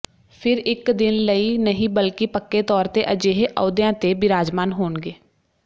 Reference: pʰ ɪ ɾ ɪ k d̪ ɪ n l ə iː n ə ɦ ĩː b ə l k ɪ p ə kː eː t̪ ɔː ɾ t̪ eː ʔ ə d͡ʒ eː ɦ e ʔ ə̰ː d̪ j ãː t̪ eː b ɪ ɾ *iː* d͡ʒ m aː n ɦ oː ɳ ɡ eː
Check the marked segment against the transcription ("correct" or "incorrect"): incorrect